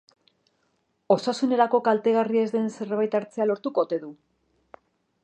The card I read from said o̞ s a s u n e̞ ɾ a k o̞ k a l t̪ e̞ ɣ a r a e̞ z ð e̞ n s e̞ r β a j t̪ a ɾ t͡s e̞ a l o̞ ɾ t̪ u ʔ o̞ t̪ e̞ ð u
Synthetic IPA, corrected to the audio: o̞ s a s u n e̞ ɾ a k o̞ k a l t̪ e̞ ɣ a r i e̞ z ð e̞ n s e̞ r β a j t̪ a ɾ t͡s e̞ a l o̞ ɾ t̪ u k o̞ t̪ e̞ ð u